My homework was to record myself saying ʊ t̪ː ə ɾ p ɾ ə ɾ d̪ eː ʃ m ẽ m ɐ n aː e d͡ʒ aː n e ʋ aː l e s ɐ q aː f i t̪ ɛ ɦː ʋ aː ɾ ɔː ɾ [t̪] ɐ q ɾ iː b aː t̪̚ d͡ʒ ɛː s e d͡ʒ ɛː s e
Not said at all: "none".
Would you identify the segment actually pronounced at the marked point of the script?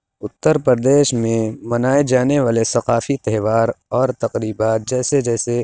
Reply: t̪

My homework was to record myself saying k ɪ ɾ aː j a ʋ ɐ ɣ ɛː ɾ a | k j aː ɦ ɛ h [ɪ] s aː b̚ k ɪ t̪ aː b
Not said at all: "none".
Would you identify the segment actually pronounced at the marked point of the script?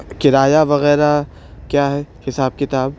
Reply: ɪ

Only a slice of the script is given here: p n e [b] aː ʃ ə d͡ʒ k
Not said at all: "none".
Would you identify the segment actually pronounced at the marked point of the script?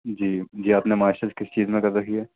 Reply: m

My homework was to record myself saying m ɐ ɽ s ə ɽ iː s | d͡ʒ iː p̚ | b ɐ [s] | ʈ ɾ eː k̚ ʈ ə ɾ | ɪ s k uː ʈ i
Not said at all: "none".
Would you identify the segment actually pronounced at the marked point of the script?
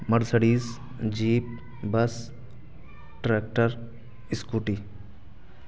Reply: s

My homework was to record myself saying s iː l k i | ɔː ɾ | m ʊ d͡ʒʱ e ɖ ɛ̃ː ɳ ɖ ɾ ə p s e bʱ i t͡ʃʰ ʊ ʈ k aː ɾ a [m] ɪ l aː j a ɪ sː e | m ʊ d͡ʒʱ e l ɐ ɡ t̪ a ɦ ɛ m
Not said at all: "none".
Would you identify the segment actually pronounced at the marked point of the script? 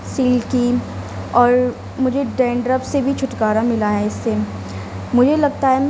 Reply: m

